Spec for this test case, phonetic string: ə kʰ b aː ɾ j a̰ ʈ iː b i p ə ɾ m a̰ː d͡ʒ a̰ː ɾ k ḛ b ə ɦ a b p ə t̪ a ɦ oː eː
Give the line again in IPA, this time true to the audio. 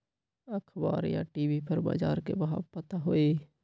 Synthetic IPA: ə kʰ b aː ɾ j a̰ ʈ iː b i p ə ɾ b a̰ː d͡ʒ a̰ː ɾ k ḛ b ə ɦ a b p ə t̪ a ɦ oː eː